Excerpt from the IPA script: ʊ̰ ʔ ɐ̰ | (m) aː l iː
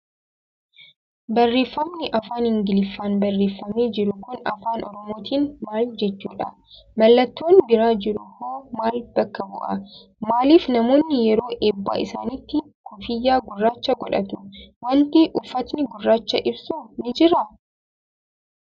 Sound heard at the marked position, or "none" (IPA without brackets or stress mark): m